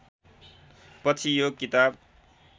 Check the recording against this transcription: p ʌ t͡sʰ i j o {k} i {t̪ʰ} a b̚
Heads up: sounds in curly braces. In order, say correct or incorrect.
correct, incorrect

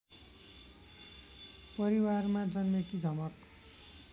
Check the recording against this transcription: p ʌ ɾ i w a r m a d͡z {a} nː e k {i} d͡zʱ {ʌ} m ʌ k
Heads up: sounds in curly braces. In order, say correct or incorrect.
incorrect, correct, correct

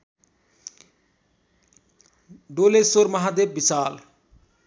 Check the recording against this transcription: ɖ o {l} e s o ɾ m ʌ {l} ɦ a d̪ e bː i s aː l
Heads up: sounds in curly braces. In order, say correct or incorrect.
correct, incorrect

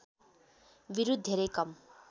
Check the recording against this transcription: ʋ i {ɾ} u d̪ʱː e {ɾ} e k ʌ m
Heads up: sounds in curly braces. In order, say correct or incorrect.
correct, correct

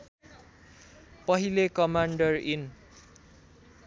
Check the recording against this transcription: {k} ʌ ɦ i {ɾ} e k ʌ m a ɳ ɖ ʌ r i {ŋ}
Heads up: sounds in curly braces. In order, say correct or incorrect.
incorrect, incorrect, incorrect

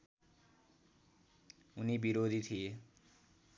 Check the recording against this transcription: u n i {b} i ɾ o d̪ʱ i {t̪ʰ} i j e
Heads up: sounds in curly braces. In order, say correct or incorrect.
correct, correct

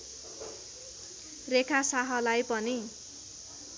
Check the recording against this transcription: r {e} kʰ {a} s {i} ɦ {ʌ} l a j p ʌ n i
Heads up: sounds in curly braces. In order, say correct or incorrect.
correct, correct, incorrect, correct

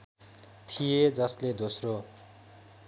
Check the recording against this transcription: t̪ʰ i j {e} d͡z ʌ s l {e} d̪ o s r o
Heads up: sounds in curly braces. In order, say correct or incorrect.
correct, correct

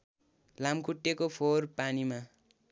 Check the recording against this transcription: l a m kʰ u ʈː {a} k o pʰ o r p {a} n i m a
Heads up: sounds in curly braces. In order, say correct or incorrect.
incorrect, correct

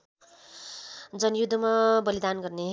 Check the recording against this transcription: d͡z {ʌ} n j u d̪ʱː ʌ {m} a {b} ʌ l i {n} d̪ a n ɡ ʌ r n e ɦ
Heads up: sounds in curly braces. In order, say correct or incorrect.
correct, correct, correct, incorrect

